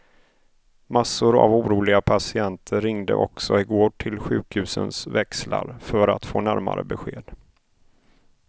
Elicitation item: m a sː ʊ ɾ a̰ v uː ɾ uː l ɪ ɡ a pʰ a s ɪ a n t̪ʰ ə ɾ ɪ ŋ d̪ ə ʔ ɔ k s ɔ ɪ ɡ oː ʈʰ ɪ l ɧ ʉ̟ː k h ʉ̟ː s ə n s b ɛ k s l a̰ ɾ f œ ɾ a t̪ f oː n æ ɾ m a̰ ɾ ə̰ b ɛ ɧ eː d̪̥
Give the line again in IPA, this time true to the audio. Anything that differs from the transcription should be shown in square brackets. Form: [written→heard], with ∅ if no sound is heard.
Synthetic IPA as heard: m a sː ʊ ɾ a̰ v uː ɾ uː l ɪ ɡ a pʰ a s ɪ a n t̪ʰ ə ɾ ɪ ŋ d̪ ə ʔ ɔ k s ɔ ɪ ɡ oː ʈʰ ɪ l ɧ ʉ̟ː k h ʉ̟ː s ə n s [b→v] ɛ k s l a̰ ɾ f œ ɾ a t̪ f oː n æ ɾ m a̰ ɾ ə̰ b ɛ ɧ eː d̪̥

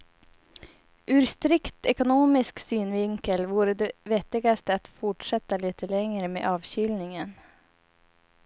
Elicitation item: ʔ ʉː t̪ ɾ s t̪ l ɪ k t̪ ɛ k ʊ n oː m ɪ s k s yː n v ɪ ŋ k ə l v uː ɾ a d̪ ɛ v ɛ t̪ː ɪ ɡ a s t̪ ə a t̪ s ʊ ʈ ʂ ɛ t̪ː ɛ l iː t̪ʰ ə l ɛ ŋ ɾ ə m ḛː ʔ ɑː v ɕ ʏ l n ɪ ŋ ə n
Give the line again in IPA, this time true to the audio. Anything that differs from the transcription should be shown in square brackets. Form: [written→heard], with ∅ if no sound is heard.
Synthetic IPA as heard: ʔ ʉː [t̪→∅] ɾ s t̪ [l→ɾ] ɪ k t̪ ɛ k ʊ n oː m ɪ s k s yː n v ɪ ŋ k ə l v uː ɾ [a→ə] d̪ ɛ v ɛ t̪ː ɪ ɡ a s t̪ ə a t̪ [s→f] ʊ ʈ ʂ ɛ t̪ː [ɛ→a] l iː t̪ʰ ə l ɛ ŋ ɾ ə m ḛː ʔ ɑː v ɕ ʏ l n ɪ ŋ ə n

